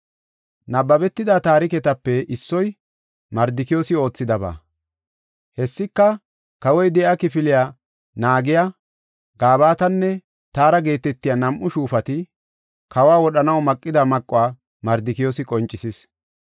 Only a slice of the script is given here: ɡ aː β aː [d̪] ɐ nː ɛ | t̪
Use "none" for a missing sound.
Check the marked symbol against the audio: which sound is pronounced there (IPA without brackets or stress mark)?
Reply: t̪